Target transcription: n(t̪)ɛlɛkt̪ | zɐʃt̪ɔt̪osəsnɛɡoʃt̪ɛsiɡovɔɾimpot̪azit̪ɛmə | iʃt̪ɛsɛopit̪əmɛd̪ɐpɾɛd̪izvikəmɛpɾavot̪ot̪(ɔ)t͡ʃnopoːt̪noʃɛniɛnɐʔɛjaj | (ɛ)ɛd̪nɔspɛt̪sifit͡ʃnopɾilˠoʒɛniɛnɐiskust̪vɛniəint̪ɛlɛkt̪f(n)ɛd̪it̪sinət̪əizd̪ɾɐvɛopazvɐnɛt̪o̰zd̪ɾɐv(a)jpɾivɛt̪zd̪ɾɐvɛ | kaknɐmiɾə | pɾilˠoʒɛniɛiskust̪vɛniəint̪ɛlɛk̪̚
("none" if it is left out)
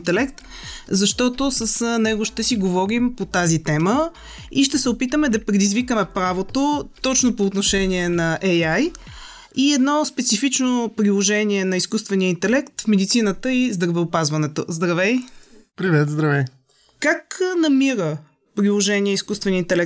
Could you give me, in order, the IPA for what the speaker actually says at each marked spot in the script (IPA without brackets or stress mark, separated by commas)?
t̪, ɔ, i, m, ɛ